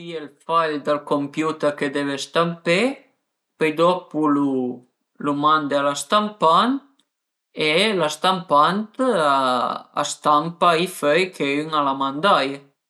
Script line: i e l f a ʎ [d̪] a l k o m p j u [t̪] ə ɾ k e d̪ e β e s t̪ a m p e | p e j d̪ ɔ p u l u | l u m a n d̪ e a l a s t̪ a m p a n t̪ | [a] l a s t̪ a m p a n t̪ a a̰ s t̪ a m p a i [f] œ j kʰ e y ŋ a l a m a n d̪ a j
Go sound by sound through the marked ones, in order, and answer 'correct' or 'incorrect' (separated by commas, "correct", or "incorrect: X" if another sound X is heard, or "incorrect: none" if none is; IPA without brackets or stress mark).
correct, correct, incorrect: e, correct